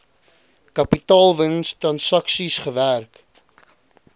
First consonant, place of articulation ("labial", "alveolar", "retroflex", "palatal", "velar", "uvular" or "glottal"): velar